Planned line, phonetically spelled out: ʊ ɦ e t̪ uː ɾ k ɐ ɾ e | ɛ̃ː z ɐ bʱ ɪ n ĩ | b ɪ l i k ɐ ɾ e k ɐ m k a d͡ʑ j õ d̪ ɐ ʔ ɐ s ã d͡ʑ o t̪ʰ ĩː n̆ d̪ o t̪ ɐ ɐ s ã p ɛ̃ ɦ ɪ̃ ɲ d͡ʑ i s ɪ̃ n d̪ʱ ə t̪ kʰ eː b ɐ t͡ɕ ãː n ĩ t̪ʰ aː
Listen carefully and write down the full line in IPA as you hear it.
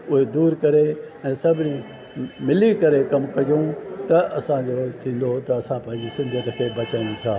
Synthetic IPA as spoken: ʊ ɦ e d̪ uː ɾ k ɐ ɾ e | ɛ̃ː s ɐ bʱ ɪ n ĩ | m ɪ l i k ɐ ɾ e k ɐ m k ɐ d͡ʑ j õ t̪ ɐ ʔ ɐ s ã d͡ʑ o t̪ʰ ĩː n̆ d̪ o t̪ ɐ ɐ s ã p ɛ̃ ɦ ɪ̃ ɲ d͡ʑ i s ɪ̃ n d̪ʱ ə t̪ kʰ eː b ɐ t͡ɕ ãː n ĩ t̪ʰ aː